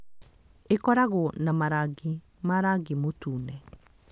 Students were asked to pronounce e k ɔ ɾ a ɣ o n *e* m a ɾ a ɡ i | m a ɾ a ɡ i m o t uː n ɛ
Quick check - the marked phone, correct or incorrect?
incorrect